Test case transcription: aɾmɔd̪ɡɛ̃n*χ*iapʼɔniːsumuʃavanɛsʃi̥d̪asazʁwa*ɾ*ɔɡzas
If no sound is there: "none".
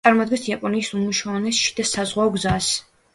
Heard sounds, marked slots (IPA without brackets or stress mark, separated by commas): s, none